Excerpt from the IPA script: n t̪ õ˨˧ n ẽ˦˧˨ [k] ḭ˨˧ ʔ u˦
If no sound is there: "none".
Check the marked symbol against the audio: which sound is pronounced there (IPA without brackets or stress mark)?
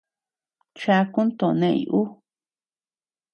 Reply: none